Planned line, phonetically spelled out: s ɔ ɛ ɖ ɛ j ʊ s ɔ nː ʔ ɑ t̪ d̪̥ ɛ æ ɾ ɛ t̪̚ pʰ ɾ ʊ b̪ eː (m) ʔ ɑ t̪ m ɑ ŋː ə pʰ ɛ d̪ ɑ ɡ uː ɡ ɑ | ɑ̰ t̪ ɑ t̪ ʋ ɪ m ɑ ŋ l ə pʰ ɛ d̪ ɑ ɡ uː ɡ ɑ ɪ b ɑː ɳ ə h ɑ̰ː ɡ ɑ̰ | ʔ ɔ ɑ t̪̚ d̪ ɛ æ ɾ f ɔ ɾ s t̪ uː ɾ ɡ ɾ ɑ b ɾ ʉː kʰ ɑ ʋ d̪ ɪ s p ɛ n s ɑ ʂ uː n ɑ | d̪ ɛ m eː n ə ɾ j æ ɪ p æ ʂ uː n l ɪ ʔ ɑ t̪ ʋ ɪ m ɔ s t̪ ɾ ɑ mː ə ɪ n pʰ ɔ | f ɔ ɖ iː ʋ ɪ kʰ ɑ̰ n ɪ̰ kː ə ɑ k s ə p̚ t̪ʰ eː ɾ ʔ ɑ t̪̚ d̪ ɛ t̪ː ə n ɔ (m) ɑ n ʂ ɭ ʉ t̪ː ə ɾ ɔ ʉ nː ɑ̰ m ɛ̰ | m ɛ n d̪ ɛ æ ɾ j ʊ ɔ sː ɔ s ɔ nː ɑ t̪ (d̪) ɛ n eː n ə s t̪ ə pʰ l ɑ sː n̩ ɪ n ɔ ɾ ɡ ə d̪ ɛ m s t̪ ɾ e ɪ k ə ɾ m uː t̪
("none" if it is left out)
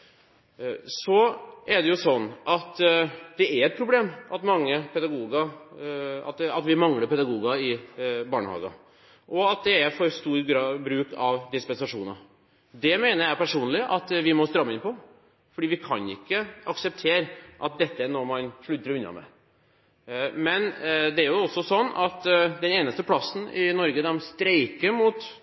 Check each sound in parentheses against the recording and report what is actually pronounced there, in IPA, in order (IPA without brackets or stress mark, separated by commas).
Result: m, m, d̪